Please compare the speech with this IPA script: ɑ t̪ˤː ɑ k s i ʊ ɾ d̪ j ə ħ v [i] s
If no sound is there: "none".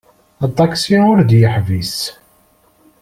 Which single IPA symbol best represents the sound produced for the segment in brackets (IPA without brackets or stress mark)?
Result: i